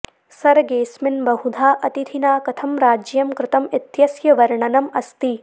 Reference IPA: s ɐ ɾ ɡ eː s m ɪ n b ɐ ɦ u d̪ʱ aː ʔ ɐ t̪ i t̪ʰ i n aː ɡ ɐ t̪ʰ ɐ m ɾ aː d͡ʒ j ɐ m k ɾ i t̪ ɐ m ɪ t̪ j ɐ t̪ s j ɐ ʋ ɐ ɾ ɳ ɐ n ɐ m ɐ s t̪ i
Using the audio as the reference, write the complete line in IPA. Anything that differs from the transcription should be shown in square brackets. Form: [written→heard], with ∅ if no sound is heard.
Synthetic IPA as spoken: s ɐ ɾ ɡ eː s m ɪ n b ɐ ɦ u d̪ʱ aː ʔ ɐ t̪ i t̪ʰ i n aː [ɡ→k] ɐ t̪ʰ ɐ m ɾ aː d͡ʒ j ɐ m k ɾ [i→ɪ] t̪ ɐ m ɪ t̪ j ɐ [t̪→∅] s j ɐ ʋ ɐ ɾ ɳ ɐ n ɐ m ɐ s t̪ i